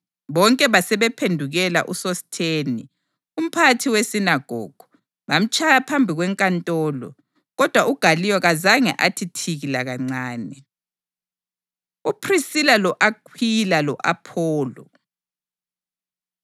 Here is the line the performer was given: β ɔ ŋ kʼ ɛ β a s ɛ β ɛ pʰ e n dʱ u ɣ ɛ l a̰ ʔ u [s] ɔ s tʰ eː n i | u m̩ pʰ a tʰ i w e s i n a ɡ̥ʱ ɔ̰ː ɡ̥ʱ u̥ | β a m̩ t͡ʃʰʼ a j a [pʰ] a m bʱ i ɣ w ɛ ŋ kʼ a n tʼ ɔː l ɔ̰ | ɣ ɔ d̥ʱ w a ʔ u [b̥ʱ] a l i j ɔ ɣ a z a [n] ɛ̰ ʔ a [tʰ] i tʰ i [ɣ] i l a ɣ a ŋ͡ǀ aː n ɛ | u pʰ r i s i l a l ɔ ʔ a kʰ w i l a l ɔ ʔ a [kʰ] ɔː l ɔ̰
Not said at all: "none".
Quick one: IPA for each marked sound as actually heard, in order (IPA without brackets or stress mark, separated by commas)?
s, pʰ, ɡ̥ʱ, ŋ, tʰ, ɣ, pʰ